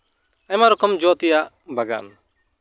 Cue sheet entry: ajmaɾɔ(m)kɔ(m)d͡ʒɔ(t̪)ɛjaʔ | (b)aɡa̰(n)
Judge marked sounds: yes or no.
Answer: no, yes, yes, yes, yes

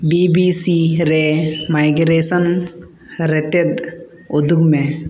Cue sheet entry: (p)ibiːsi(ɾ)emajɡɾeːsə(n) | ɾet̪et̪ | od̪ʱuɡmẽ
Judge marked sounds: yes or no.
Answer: no, yes, yes

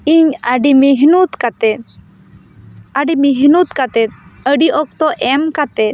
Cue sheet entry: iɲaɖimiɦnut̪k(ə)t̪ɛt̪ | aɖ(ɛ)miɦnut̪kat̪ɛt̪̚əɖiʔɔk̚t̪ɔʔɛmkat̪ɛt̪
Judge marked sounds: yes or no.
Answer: no, no

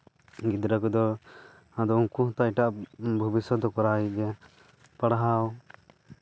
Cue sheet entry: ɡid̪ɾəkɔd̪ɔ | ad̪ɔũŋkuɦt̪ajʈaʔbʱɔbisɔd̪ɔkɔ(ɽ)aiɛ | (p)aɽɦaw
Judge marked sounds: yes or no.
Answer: no, yes

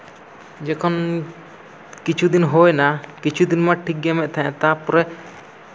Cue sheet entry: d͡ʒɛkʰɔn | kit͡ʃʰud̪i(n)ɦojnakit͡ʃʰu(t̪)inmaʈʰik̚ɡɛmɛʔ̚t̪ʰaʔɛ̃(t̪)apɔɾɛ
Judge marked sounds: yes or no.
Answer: yes, no, yes

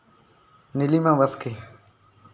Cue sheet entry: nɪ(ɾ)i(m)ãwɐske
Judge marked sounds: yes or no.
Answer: no, yes

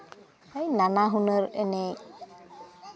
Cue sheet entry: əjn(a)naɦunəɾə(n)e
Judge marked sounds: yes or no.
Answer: yes, yes

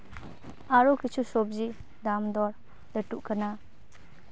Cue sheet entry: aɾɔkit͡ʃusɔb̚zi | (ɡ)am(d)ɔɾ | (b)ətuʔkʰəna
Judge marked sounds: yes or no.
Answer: no, yes, no

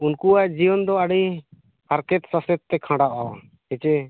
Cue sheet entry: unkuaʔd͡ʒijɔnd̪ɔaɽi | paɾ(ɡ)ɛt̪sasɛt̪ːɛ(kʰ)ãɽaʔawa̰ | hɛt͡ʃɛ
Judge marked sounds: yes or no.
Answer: no, yes

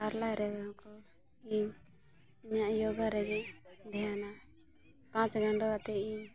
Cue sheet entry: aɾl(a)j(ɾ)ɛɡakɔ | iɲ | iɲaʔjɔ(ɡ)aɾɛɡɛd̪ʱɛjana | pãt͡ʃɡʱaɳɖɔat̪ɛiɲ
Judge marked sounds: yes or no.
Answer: yes, yes, yes

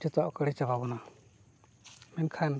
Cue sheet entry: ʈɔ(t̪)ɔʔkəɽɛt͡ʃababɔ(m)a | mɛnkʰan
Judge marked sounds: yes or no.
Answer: yes, no

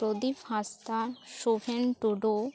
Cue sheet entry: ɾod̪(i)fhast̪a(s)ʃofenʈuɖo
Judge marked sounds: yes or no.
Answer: yes, no

